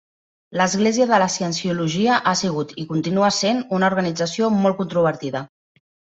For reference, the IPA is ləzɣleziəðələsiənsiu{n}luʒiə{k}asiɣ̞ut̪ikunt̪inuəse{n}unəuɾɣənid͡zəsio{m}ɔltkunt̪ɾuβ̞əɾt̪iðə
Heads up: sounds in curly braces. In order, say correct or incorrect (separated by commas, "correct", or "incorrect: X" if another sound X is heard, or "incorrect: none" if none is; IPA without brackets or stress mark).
incorrect: none, incorrect: ʔ, correct, correct